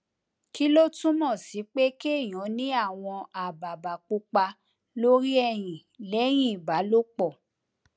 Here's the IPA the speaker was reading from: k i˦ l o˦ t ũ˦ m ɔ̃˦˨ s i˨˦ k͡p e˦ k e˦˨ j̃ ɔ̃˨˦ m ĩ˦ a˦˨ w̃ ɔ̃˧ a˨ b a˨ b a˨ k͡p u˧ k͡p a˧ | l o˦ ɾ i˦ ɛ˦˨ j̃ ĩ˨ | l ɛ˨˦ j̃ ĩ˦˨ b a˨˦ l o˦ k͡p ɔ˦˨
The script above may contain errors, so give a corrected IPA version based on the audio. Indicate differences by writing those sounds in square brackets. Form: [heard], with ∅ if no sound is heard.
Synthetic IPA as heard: k i˦ l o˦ t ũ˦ m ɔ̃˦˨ s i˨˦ k͡p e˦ k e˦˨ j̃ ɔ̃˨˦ [n] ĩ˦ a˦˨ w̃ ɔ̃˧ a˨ b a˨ b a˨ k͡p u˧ k͡p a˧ | l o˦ ɾ i˦ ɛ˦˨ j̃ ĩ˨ | l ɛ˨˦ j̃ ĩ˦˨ b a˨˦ l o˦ k͡p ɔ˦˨